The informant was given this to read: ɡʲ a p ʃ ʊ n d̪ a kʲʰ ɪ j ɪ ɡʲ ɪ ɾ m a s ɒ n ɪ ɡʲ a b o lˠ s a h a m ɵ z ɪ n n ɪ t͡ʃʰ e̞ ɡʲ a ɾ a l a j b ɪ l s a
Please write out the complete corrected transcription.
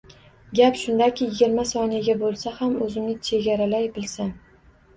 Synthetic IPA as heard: ɡʲ a p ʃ ʊ n d̪ a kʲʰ ɪ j ɪ ɡʲ ɪ ɾ m a s ɒ n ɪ ɡʲ a b o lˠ s a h a m ɵ z ɪ m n ɪ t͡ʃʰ e̞ ɡʲ a ɾ a l a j b ɪ l s a